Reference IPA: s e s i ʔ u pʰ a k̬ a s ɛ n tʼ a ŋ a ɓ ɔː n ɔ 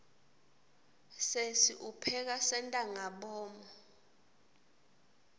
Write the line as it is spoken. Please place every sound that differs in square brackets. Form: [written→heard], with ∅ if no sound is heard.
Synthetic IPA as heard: s e s i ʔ u pʰ [a→ɛ] k̬ a s ɛ n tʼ a ŋ a ɓ ɔː [n→m] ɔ